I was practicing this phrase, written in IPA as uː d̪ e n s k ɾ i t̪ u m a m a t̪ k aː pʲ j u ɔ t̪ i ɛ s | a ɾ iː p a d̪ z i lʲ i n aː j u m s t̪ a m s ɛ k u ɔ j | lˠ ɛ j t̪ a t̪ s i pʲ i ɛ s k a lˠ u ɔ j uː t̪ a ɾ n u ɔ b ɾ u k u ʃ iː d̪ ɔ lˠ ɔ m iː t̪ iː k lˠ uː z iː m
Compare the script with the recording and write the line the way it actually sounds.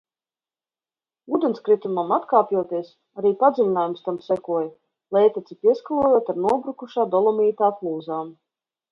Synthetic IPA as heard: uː d̪ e n s k ɾ i t̪ u m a m a t̪ k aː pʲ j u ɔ t̪ i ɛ s | a ɾ iː p a d̪ z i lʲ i n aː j u m s t̪ a m s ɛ k u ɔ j | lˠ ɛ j t̪ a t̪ s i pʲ i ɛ s k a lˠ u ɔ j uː t̪ a ɾ n u ɔ b ɾ u k u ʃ aː d̪ ɔ lˠ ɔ m iː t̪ aː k lˠ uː z aː m